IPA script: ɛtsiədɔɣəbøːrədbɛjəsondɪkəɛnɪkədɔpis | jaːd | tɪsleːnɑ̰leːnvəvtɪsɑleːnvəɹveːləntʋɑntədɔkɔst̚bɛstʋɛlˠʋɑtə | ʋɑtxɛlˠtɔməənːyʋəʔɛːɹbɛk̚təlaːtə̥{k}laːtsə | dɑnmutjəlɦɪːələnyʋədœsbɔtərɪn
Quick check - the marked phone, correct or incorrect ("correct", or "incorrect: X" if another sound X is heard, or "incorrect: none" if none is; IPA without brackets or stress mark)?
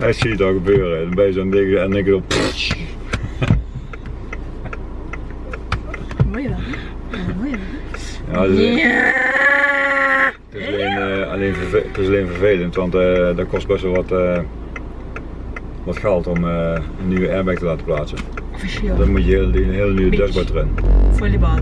incorrect: p